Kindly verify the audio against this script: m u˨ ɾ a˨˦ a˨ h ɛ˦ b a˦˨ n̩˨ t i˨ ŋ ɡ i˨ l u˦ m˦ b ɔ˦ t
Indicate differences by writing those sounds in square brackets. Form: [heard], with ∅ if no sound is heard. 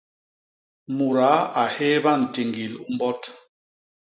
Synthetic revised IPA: m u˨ ɾ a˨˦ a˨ h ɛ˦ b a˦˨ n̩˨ t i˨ ŋ ɡ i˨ l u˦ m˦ b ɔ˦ t